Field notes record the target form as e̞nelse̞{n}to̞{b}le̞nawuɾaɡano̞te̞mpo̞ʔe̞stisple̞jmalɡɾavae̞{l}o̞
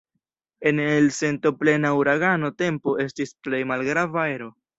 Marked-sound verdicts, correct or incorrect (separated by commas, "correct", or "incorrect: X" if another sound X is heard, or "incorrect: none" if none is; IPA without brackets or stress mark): correct, incorrect: p, incorrect: ɾ